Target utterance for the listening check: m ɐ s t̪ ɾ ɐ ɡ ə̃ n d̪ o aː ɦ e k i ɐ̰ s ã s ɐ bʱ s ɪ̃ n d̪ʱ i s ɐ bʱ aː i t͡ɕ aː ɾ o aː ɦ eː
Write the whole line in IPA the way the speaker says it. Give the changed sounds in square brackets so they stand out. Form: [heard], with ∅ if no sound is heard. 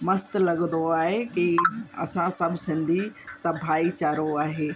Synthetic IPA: m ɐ s t̪ [l] ɐ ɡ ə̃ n d̪ o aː ɦ e k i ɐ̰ s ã s ɐ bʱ s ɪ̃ n d̪ʱ i s ɐ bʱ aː i t͡ɕ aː ɾ o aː ɦ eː